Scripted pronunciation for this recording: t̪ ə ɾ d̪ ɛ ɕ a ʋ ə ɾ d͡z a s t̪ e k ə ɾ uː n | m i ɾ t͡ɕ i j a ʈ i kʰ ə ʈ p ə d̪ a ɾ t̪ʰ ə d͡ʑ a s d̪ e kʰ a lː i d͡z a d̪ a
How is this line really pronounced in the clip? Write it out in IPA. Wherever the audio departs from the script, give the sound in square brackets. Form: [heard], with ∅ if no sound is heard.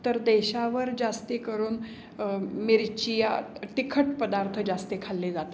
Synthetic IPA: t̪ ə ɾ d̪ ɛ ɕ a ʋ ə ɾ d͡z a s t̪ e k ə ɾ uː n | m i ɾ t͡ɕ i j a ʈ i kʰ ə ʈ p ə d̪ a ɾ t̪ʰ ə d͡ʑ a s [t̪] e kʰ a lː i d͡z a [t̪] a